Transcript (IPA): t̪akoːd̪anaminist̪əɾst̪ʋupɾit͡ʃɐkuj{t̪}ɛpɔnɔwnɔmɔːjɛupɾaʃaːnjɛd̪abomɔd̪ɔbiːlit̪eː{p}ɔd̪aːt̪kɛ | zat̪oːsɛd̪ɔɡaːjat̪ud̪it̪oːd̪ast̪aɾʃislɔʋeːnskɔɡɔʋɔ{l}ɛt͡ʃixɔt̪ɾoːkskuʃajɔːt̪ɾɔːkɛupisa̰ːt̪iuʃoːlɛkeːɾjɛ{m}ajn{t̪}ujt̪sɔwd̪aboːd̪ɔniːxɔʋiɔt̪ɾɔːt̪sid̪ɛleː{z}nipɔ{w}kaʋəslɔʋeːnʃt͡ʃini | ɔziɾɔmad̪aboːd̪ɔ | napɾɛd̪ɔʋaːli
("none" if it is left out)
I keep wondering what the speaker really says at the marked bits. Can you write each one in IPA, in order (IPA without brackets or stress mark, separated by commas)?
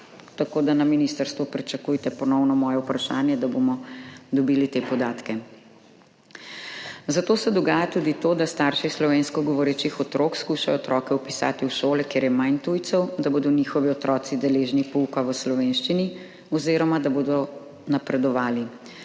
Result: t̪, p, ɾ, m, t̪, ʒ, u